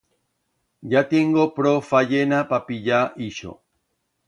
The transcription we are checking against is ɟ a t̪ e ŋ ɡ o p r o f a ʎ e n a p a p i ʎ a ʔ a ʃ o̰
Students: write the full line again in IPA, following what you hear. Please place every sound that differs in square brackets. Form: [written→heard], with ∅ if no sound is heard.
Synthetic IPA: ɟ a t̪ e ŋ ɡ o p [r→ɾ] o f a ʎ e n a p a p i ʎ a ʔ [a→i] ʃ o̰